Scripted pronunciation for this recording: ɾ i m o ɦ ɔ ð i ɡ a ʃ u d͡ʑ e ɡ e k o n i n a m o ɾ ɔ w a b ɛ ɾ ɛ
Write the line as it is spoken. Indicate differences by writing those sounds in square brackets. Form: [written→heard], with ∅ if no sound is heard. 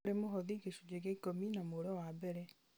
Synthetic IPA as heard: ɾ [i→e] m o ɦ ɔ ð i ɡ [a→e] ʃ u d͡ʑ e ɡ e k o [n→m] i n a m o ɾ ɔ w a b ɛ ɾ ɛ